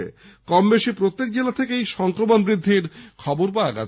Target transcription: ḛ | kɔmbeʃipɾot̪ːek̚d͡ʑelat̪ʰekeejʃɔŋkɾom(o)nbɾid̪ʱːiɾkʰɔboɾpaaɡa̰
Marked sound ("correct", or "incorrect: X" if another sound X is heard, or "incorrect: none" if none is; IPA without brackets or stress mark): correct